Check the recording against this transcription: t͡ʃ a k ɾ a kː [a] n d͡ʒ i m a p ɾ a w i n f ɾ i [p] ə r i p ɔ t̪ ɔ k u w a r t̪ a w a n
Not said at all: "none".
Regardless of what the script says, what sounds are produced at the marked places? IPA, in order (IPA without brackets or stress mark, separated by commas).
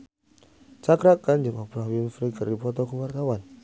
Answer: a, k